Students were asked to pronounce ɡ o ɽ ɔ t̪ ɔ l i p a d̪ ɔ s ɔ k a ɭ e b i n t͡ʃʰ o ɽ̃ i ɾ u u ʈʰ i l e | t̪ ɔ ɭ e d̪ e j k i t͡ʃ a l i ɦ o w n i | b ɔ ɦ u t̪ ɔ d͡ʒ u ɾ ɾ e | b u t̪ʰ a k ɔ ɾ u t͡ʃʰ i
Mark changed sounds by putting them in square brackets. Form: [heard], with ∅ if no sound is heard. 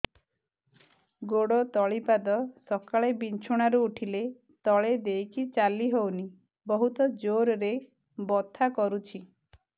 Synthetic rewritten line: ɡ o ɽ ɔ t̪ ɔ [ɭ] i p a d̪ ɔ s ɔ k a ɭ e b i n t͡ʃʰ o ɽ̃ [a] ɾ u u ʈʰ i l e | t̪ ɔ ɭ e d̪ e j k i t͡ʃ a l i ɦ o w n i | b ɔ ɦ u t̪ ɔ d͡ʒ [o] ɾ ɾ e | b [ɔ] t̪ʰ a k ɔ ɾ u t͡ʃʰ i